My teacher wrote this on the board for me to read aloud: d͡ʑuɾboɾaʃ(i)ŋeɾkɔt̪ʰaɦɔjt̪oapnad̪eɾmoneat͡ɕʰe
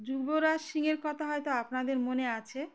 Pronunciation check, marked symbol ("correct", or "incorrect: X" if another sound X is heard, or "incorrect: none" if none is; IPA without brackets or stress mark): correct